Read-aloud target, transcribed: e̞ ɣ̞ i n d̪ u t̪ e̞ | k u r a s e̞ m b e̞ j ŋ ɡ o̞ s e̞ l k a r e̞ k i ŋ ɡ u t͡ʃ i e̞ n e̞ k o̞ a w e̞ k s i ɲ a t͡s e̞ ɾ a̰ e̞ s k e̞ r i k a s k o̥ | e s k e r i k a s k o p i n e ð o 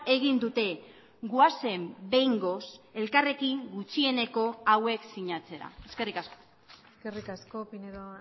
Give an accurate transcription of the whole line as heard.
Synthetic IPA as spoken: e̞ ɣ̞ i n d̪ u t̪ e̞ | ɡ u a s e̞ m b e̞ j ŋ ɡ o̞ s e̞ l k a r e̞ k i ŋ ɡ u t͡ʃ i e̞ n e̞ k o̞ a w e̞ k s i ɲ a t͡s e̞ ɾ a̰ e̞ s k e̞ r i k a s k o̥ | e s k e r i k a s k o p i n e ð o